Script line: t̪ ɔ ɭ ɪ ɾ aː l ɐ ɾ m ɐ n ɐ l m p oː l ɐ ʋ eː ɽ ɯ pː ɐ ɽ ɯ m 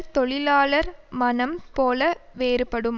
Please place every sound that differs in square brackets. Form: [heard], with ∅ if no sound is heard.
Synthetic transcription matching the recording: t̪ ɔ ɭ ɪ [l] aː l ɐ ɾ m ɐ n ɐ [∅] m p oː l ɐ ʋ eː [ɾ] ɯ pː ɐ ɽ ɯ m